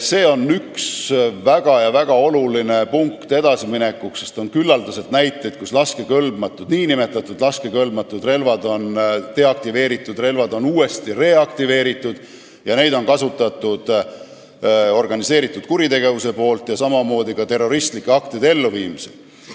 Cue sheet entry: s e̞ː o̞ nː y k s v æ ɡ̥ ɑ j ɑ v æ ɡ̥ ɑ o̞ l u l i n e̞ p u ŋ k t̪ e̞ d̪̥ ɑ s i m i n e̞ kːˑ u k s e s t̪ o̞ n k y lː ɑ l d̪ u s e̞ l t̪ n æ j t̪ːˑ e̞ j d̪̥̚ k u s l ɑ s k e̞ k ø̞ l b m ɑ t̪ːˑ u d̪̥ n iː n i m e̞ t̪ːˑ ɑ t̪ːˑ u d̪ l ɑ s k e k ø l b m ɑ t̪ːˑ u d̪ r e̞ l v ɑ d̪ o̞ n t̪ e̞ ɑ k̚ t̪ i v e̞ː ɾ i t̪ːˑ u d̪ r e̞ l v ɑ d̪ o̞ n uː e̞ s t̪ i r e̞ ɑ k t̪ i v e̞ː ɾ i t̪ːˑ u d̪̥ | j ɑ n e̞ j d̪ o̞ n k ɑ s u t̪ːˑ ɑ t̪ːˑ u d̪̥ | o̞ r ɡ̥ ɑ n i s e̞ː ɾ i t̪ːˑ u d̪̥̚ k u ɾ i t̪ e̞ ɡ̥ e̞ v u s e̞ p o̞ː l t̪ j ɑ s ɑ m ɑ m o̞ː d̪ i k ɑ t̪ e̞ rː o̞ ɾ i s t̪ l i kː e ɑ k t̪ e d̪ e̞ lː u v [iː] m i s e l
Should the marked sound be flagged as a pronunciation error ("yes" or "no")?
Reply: no